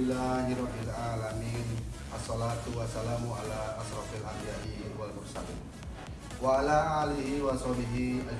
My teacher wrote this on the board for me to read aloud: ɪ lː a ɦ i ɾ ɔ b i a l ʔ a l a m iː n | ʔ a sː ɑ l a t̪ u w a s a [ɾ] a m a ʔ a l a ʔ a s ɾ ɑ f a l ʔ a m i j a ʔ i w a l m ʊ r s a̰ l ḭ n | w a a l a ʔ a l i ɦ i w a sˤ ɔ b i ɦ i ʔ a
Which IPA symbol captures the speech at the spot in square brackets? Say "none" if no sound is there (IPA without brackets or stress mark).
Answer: l